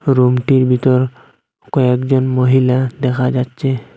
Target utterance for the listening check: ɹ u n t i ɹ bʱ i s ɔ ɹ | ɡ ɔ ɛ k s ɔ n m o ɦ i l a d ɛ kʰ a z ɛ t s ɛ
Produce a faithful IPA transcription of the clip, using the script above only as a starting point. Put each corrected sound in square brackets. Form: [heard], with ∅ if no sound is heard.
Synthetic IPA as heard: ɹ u [m] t i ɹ bʱ i [t] ɔ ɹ | [k] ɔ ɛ k [z] ɔ n m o ɦ i l a d ɛ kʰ a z [a] t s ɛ